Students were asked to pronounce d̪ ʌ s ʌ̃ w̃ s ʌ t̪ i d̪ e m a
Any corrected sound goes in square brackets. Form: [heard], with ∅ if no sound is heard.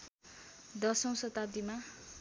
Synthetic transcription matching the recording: d̪ ʌ s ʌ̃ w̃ s ʌ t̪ [a] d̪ [i] m a